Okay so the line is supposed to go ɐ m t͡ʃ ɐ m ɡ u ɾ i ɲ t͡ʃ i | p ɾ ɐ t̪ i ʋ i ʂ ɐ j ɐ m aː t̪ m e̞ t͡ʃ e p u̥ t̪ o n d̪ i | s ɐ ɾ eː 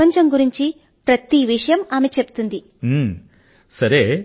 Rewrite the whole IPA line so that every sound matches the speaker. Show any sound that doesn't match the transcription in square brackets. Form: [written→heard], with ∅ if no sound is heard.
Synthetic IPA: ɐ [m→ɲ] t͡ʃ ɐ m ɡ u ɾ i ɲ t͡ʃ i | p ɾ ɐ t̪ i ʋ i ʂ ɐ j ɐ m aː [t̪→∅] m e̞ t͡ʃ e p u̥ t̪ [o→u] n d̪ i | s ɐ ɾ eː

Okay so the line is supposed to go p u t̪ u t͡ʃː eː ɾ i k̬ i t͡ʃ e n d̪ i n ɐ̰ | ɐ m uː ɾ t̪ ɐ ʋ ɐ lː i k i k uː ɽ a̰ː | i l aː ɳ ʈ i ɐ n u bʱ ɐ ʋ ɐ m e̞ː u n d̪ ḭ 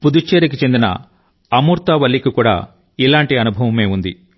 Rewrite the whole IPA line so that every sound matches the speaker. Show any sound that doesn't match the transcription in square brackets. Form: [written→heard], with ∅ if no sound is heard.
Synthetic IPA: p u [t̪→d̪] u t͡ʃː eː ɾ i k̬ i t͡ʃ e n d̪ i n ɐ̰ | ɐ m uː ɾ t̪ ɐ ʋ ɐ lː i k i k uː ɽ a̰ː | i l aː ɳ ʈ i ɐ n u bʱ ɐ ʋ ɐ m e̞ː u n d̪ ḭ

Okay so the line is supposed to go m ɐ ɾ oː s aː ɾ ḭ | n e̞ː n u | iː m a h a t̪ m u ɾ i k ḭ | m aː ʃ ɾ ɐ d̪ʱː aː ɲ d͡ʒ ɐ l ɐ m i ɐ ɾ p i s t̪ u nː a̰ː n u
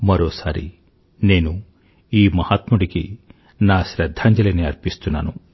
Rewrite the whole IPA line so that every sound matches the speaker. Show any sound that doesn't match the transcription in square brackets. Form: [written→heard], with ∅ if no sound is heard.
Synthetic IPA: m ɐ ɾ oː s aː ɾ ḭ | n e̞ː n u | iː m [a→ɐ] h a t̪ m u [ɾ→ɽ] i k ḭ | [m→n] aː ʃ ɾ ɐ d̪ʱː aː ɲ d͡ʒ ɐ l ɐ [m→n] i ɐ ɾ p i s t̪ u nː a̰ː n u

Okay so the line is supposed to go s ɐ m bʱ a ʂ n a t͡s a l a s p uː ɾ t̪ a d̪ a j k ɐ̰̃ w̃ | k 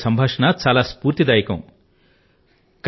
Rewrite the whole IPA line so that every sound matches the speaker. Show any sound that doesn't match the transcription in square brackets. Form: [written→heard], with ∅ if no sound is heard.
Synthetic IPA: s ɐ m bʱ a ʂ n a t͡s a l a s p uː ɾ t̪ [a→i] d̪ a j k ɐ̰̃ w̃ | k

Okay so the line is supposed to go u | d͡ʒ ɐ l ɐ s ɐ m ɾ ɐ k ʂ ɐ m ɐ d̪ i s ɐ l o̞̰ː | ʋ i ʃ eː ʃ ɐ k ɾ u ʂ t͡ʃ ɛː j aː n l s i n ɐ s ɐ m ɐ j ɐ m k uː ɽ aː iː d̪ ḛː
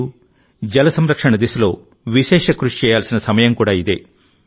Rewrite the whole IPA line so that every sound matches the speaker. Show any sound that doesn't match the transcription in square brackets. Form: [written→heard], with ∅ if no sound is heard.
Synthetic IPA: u | d͡ʒ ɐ l ɐ s ɐ m ɾ ɐ k ʂ ɐ [m→ɳ] ɐ d̪ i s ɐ l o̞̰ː | ʋ i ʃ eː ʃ ɐ k ɾ u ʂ t͡ʃ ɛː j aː [n→∅] l s i n ɐ s ɐ m ɐ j ɐ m k uː ɽ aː [iː→i] d̪ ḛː

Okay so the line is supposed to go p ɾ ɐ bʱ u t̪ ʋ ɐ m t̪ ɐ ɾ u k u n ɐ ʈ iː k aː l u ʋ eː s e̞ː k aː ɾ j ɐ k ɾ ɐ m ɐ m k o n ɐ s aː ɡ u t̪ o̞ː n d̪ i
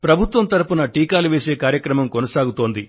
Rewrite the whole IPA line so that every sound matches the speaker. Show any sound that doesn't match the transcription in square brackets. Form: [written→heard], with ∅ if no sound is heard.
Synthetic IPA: p ɾ ɐ bʱ u t̪ ʋ ɐ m t̪ ɐ ɾ u [k→p] u n ɐ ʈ iː k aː l u ʋ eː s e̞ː k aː ɾ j ɐ k ɾ ɐ m ɐ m k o n ɐ s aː ɡ u t̪ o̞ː n d̪ i

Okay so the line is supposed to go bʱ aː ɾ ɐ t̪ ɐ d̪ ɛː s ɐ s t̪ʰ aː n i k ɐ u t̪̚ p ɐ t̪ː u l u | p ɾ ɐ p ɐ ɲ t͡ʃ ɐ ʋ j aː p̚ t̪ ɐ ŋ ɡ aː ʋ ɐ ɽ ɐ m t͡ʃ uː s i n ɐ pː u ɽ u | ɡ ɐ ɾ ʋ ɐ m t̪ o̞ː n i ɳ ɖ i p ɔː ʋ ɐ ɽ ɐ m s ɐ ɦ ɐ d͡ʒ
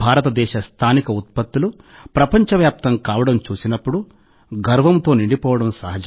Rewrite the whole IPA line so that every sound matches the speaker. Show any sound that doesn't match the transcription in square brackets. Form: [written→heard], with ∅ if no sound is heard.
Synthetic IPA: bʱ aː ɾ ɐ t̪ ɐ d̪ ɛː [s→ʃ] ɐ s t̪ʰ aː n i k ɐ u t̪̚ p ɐ t̪ː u l u | p ɾ ɐ p ɐ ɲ t͡ʃ ɐ ʋ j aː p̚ t̪ ɐ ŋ [ɡ→k] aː ʋ ɐ ɽ ɐ m t͡ʃ uː s i n ɐ pː u ɽ u | ɡ ɐ ɾ ʋ ɐ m t̪ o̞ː n i ɳ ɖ i p ɔː ʋ ɐ ɽ ɐ m s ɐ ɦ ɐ d͡ʒ

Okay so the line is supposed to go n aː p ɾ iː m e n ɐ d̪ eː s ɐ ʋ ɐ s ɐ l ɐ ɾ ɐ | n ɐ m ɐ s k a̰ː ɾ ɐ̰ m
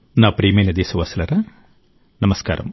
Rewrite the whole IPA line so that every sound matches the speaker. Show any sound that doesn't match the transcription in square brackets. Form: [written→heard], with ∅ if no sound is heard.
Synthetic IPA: n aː p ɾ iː m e n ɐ d̪ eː s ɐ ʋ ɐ s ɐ l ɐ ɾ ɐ | n ɐ m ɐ s k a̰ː ɾ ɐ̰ m

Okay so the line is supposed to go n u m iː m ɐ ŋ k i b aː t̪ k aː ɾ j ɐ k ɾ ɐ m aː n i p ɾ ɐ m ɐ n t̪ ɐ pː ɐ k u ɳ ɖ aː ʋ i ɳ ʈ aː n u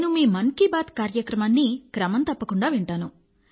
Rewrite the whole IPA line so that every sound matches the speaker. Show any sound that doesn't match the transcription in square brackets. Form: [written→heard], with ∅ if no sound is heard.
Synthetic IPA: n u m iː m ɐ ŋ k i b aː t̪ k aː ɾ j ɐ k ɾ ɐ m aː [n→nː] i [p→k] ɾ ɐ m ɐ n t̪ ɐ pː ɐ k u ɳ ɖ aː ʋ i ɳ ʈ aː n u

